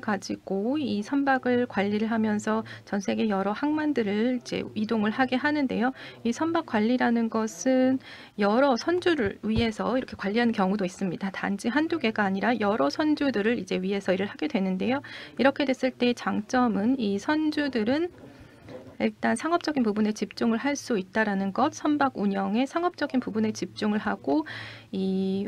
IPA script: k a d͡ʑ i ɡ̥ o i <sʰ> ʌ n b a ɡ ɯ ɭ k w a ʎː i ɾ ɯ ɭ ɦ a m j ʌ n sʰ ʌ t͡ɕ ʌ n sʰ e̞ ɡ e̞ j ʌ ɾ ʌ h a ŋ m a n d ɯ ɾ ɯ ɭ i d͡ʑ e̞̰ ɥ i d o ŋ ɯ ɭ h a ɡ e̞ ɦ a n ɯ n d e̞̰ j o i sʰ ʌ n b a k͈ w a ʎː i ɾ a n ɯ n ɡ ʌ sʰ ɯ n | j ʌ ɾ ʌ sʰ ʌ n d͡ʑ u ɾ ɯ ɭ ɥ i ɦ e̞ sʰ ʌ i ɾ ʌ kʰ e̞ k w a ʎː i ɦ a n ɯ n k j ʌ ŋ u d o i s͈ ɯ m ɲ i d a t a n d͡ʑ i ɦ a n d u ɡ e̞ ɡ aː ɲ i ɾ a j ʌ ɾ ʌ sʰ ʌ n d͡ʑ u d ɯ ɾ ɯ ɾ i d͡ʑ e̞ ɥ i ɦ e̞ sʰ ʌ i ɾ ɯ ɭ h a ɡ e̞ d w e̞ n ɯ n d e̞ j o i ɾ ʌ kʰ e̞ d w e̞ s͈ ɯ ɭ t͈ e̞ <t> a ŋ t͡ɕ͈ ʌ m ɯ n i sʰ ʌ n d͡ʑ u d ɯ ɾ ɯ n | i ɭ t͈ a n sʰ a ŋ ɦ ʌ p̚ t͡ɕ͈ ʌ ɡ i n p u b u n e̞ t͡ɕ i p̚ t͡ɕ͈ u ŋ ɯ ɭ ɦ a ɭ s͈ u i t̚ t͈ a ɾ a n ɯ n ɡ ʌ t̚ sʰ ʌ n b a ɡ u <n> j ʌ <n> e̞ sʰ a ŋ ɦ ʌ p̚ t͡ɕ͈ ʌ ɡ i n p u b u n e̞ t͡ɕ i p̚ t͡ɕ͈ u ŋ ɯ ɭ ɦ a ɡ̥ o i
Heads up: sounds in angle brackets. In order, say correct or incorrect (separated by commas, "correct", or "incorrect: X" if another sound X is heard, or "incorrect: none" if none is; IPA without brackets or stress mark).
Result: correct, incorrect: t͡ɕ, incorrect: ɲ, incorrect: ŋ